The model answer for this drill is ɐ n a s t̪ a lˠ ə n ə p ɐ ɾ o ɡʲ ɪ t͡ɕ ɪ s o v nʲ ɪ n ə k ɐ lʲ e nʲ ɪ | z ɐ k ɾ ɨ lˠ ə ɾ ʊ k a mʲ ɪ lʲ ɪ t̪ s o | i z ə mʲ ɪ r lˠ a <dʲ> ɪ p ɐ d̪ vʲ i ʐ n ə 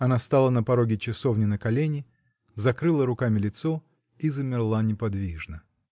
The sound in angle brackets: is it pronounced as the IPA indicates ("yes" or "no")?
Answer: no